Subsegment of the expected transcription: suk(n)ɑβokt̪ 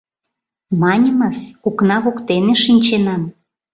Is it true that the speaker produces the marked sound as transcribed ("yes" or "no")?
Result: yes